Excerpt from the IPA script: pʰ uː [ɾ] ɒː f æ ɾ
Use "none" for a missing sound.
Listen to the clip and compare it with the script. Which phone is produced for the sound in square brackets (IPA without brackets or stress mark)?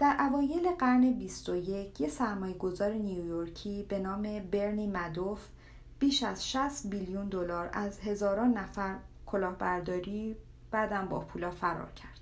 l